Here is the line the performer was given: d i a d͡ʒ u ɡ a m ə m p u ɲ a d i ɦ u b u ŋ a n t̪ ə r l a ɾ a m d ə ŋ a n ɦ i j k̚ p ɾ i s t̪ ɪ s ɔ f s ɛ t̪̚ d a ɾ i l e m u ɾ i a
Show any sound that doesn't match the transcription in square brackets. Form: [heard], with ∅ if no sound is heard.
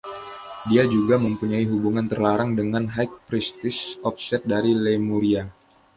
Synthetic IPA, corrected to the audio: d i a d͡ʒ u ɡ a m ə m p u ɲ a [∅] i ɦ u b u ŋ a n t̪ ə r l a ɾ a [ŋ] d ə ŋ a n ɦ [a] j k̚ p ɾ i s t̪ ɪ s ɔ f s ɛ t̪̚ d a ɾ i l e m u ɾ i a